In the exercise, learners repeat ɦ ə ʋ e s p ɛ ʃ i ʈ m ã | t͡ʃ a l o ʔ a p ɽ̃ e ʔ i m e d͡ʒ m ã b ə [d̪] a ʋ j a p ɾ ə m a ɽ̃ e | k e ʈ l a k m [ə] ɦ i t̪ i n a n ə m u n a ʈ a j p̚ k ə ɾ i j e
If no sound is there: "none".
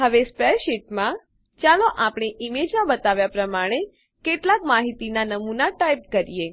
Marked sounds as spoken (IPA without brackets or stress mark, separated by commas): t̪, a